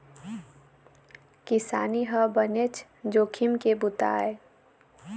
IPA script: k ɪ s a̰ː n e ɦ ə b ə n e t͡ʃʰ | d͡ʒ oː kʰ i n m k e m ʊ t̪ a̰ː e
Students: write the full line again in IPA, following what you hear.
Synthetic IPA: k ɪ s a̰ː n i ɦ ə b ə n e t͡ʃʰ | d͡ʒ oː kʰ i m k e b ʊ t̪ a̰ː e